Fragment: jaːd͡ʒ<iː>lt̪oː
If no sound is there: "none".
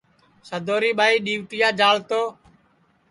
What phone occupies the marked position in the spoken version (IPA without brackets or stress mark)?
aː